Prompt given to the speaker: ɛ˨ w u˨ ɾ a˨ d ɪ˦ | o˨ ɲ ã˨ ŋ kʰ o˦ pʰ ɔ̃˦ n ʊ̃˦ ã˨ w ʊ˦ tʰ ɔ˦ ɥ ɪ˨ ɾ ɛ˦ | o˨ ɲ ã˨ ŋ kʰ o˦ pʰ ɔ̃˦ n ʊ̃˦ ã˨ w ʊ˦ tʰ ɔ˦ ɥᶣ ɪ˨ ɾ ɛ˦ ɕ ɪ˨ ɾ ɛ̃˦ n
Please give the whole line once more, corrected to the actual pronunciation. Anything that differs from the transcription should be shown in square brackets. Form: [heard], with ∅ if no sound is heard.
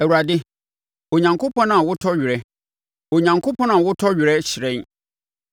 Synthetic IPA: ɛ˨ w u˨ ɾ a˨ d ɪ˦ | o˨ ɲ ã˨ ŋ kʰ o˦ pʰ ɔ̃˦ n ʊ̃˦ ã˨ w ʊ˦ tʰ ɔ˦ ɥ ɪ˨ ɾ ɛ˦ | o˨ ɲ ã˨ ŋ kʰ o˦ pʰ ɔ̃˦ n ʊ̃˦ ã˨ w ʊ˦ tʰ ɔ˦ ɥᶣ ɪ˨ ɾ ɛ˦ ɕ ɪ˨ ɾ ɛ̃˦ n